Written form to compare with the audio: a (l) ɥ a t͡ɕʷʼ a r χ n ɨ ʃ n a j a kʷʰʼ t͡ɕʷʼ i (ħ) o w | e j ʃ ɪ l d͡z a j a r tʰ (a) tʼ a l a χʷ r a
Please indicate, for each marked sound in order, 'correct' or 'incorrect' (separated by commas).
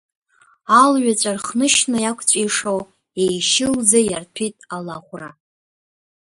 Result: correct, incorrect, incorrect